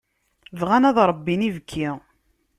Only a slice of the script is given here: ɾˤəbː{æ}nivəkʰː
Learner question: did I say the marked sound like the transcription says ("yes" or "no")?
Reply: no